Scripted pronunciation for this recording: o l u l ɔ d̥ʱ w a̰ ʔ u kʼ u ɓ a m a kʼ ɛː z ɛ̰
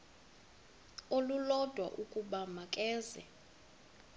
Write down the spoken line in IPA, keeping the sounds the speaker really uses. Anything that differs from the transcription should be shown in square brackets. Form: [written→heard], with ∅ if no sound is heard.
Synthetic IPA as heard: o l u l ɔ d̥ʱ w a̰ ʔ u kʼ u ɓ a m a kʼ ɛː z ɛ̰